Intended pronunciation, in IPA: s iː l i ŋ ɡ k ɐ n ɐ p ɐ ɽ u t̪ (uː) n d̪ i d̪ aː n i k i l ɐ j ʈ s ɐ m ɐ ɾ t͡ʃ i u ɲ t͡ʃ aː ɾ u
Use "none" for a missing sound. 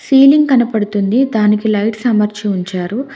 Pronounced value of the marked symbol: u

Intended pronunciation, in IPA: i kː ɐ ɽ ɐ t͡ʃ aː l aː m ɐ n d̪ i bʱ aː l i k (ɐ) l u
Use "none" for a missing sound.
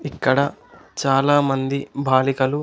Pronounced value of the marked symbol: ɐ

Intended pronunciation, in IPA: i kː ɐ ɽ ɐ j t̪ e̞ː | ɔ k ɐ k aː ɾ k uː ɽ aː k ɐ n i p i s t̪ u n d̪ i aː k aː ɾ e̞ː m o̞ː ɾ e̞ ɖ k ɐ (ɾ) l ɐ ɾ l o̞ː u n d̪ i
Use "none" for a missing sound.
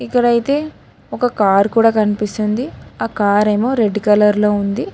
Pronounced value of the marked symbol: none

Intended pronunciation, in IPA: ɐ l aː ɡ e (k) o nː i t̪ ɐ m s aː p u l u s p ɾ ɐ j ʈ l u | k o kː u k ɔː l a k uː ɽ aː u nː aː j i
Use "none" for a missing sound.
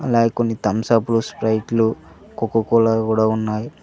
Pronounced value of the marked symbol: k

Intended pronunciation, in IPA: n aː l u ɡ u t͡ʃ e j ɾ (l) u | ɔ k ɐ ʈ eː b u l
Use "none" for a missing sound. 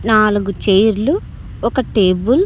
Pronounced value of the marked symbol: l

